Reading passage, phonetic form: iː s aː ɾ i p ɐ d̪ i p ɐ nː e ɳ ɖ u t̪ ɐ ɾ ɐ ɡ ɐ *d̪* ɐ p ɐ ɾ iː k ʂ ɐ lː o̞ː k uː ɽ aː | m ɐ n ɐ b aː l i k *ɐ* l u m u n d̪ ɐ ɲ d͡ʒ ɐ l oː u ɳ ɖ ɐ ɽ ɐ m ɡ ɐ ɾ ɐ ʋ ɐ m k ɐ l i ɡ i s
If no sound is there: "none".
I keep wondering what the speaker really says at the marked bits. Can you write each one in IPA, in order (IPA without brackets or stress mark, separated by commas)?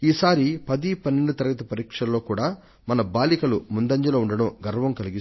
t̪, ɐ